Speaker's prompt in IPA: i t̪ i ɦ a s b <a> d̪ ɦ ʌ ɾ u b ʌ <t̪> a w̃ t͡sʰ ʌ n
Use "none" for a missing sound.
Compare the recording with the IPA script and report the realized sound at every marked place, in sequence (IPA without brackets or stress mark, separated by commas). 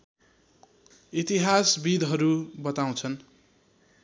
i, t̪